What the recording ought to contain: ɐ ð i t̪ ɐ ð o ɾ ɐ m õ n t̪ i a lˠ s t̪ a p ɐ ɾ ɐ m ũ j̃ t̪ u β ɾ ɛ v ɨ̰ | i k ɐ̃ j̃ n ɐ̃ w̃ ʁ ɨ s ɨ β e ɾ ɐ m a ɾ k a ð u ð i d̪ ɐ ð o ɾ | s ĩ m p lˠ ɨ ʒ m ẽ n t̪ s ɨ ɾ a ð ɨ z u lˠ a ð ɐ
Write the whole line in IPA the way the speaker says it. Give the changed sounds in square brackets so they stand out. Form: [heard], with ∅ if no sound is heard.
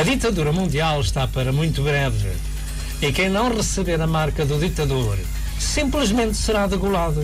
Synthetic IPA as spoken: ɐ ð i t̪ ɐ ð [u] ɾ ɐ m [ũ] n [d̪] i a lˠ [ʃ] t̪ a p ɐ ɾ ɐ m ũ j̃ t̪ u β ɾ ɛ v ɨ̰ | i k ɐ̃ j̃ n ɐ̃ w̃ ʁ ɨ s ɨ β e ɾ ɐ m a ɾ k [ɐ] ð u ð i [t̪] ɐ ð o ɾ | s ĩ m p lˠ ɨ ʒ m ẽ n t̪ s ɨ ɾ a ð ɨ [ɣ] u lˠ a ð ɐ